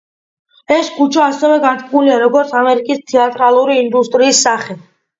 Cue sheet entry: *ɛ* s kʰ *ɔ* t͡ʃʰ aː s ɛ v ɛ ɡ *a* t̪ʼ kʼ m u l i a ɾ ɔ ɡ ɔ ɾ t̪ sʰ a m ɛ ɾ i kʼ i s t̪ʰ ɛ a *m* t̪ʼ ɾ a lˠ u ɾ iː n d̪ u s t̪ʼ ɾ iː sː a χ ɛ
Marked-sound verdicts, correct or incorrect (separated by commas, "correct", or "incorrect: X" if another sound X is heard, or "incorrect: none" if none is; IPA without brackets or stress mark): correct, incorrect: u, correct, incorrect: none